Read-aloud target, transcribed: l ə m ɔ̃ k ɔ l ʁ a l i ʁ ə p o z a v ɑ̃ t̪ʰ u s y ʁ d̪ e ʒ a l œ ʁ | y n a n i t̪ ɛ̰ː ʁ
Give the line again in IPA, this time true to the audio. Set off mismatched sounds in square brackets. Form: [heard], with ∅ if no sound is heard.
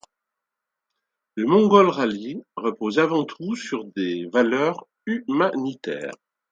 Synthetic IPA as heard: l ə m ɔ̃ [ɡ] ɔ l ʁ a l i ʁ ə p o z a v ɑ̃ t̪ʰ u s y ʁ d̪ e [v] a l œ ʁ | y [m] a n i t̪ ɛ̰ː ʁ

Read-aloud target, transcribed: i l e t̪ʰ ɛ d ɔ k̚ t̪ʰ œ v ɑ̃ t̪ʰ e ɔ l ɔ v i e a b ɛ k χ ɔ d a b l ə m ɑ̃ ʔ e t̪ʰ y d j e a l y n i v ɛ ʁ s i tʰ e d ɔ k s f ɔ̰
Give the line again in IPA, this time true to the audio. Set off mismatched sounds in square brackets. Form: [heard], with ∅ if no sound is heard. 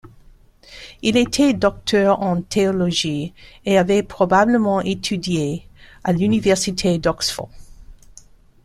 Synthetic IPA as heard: i l e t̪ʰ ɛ d ɔ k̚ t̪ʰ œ [ʁ] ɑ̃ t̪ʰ e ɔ l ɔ [ʒ] i e a [v] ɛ [p] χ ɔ [b] a b l ə m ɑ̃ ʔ e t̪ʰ y d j e a l y n i v ɛ ʁ s i tʰ e d ɔ k s f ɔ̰

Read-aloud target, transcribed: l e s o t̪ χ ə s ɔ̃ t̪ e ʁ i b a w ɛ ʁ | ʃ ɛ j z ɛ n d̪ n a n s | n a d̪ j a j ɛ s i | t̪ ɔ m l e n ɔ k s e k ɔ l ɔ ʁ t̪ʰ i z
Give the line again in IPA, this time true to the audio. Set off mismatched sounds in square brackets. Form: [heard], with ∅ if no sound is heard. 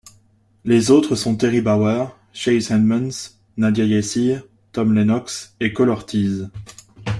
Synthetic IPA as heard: l e [z] o t̪ χ ə s ɔ̃ t̪ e ʁ i b a w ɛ ʁ | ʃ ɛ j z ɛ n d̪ [m] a n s | n a d̪ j a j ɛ s i | t̪ ɔ m l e n ɔ k s e k ɔ l ɔ ʁ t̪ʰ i z

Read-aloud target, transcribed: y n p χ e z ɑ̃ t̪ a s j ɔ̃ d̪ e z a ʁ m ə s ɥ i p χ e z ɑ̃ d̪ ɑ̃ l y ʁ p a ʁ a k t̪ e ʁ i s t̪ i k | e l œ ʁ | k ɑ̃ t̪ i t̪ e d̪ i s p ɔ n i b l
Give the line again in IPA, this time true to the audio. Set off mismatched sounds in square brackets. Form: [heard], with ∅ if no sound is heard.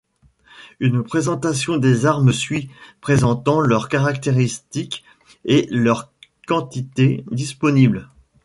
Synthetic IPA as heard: y n p χ e z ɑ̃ t̪ a s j ɔ̃ d̪ e z a ʁ m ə s ɥ i p χ e z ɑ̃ [t̪] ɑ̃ l [œ] ʁ [k] a ʁ a k t̪ e ʁ i s t̪ i k | e l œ ʁ | k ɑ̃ t̪ i t̪ e d̪ i s p ɔ n i b l

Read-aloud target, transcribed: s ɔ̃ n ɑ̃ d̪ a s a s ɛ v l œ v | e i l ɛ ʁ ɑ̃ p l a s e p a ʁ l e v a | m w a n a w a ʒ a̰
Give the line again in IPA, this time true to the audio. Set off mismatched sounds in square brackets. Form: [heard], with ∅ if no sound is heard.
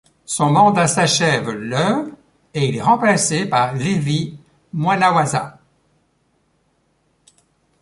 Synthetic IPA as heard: s ɔ̃ [m] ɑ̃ d̪ a s a [ʃ] ɛ v l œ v | e i l ɛ ʁ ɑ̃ p l a s e p a ʁ l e v [i] | m w a n a w a [z] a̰

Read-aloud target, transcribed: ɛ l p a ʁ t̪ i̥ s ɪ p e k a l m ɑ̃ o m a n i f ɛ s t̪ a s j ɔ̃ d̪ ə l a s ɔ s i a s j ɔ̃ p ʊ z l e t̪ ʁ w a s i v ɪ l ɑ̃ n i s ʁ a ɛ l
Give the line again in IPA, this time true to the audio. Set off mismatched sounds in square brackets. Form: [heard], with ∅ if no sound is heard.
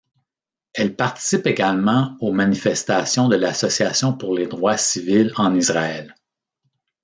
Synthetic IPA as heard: ɛ l p a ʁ t̪ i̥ s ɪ p e [ɡ] a l m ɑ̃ o m a n i f ɛ s t̪ a s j ɔ̃ d̪ ə l a s ɔ s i a s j ɔ̃ p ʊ [ʁ] l e [d̪] ʁ w a s i v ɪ l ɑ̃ n i [z] ʁ a ɛ l

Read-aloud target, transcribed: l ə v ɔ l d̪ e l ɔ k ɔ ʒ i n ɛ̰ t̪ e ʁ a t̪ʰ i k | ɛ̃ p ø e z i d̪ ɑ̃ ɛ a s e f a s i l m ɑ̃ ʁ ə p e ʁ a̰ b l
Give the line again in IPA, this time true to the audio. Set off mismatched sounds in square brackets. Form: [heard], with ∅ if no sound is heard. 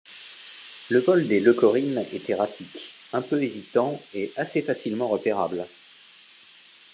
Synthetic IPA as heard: l ə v ɔ l d̪ e l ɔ k ɔ [ʁ] i n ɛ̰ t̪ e ʁ a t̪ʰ i k | ɛ̃ p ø e z i [t̪] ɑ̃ ɛ a s e f a s i l m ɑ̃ ʁ ə p e ʁ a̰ b l

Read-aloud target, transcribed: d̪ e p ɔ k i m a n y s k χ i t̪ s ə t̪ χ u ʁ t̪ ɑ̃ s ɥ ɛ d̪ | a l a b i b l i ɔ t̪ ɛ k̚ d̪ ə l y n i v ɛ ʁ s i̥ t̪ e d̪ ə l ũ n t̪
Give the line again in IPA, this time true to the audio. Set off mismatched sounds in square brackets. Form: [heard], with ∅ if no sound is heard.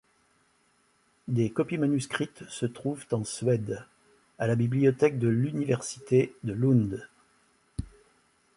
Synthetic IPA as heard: d̪ e [k] ɔ [p] i m a n y s k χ i t̪ s ə t̪ χ u [v] t̪ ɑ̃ s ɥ ɛ d̪ | a l a b i b l i ɔ t̪ ɛ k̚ d̪ ə l y n i v ɛ ʁ s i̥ t̪ e d̪ ə l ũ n [d̪]

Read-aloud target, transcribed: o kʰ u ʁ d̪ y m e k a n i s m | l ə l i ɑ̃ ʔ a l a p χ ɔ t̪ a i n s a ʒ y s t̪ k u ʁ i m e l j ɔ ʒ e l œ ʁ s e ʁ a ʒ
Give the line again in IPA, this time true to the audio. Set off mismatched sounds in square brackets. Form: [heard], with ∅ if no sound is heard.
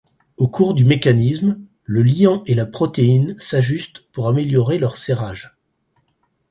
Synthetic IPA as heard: o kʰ u ʁ d̪ y m e k a n i s m | l ə l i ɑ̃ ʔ [e] l a p χ ɔ t̪ [e] i n s a ʒ y s t̪ [p] u ʁ [a] m e l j ɔ [ʁ] e l œ ʁ s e ʁ a ʒ

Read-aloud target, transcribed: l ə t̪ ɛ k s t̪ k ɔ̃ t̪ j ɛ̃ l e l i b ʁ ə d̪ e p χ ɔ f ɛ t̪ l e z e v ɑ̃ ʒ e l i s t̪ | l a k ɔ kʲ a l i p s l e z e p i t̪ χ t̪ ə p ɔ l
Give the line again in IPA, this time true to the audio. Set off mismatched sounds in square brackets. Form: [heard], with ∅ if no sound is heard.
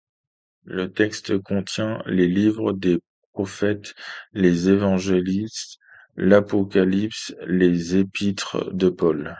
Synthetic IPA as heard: l ə t̪ ɛ k s t̪ k ɔ̃ t̪ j ɛ̃ l e l i [v] ʁ ə d̪ e p χ ɔ f ɛ t̪ l e z e v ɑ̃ ʒ e l i s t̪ | l a [p] ɔ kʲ a l i p s l e z e p i t̪ χ [d̪] ə p ɔ l

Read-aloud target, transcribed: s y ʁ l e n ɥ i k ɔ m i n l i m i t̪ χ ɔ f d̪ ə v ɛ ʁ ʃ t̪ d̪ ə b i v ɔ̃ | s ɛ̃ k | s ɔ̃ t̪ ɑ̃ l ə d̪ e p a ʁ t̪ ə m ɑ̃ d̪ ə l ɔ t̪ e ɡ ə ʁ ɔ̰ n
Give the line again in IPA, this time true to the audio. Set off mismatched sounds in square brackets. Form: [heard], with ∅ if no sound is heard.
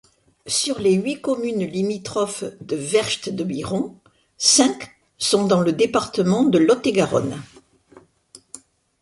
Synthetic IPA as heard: s y ʁ l e [∅] ɥ i k ɔ m [y] n l i m i t̪ χ ɔ f d̪ ə v ɛ ʁ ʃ t̪ d̪ ə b i [ʁ] ɔ̃ | s ɛ̃ k | s ɔ̃ [d̪] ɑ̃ l ə d̪ e p a ʁ t̪ ə m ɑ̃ d̪ ə l ɔ t̪ e ɡ [a] ʁ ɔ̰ n

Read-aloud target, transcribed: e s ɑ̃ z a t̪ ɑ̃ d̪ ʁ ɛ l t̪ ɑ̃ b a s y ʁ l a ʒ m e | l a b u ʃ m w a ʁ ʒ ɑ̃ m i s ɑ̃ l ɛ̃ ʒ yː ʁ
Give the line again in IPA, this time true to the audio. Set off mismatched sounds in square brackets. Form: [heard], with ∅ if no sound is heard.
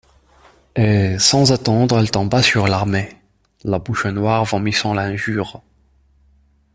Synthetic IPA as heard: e s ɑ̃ z a t̪ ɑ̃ d̪ ʁ ɛ l t̪ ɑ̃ b a s y ʁ l a [ʁ] m e | l a b u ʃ [n] w a ʁ [v] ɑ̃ m i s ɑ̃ l ɛ̃ ʒ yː ʁ

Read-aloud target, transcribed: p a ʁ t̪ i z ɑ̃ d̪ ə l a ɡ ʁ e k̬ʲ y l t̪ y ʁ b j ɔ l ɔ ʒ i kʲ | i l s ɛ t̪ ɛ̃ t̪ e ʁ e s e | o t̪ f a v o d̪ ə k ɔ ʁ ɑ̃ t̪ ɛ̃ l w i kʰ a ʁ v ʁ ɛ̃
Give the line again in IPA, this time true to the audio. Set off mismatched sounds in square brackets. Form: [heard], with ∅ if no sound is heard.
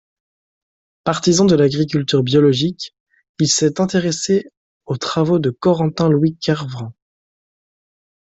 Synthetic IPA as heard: p a ʁ t̪ i z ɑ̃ d̪ ə l a ɡ ʁ [i] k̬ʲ y l t̪ y ʁ b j ɔ l ɔ ʒ i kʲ | i l s ɛ t̪ ɛ̃ t̪ e ʁ e s e | o t̪ [χ] a v o d̪ ə k ɔ ʁ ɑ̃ t̪ ɛ̃ l w i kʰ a ʁ v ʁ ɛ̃

